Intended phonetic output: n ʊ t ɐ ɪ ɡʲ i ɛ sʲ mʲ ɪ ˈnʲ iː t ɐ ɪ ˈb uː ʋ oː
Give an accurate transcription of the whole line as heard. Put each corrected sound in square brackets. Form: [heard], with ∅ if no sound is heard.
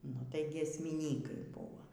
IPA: n ʊ t ɐ ɪ ɡʲ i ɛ sʲ mʲ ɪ ˈnʲ iː [k] ɐ ɪ ˈb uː ʋ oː

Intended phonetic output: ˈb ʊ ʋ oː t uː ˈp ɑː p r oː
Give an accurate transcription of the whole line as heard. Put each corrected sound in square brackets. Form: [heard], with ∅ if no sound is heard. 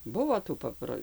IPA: ˈb ʊ ʋ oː t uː ˈp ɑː p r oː

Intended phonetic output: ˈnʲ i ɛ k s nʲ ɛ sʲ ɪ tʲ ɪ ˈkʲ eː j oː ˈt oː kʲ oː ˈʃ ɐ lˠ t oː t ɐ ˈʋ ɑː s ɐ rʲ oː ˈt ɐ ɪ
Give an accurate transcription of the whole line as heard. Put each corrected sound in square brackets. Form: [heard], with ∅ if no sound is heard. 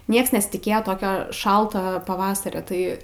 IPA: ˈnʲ i ɛ k s nʲ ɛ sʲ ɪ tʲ ɪ ˈkʲ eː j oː ˈt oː kʲ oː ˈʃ ɐ lˠ t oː [p] ɐ ˈʋ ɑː s ɐ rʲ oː ˈt ɐ ɪ

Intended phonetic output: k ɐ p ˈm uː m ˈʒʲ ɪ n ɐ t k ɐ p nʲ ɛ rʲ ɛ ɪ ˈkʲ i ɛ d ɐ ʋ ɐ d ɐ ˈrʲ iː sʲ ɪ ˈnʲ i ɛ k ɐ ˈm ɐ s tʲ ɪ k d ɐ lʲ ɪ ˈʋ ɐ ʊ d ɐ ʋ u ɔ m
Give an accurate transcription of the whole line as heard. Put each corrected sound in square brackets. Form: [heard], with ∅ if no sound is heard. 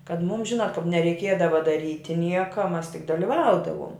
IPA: k ɐ [t] ˈm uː m ˈʒʲ ɪ n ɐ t k ɐ p nʲ ɛ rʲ ɛ ɪ ˈkʲ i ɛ d ɐ ʋ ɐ d ɐ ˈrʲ iː [tʲ] ɪ ˈnʲ i ɛ k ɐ ˈm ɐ s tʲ ɪ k d ɐ lʲ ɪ ˈʋ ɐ ʊ d ɐ ʋ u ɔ m

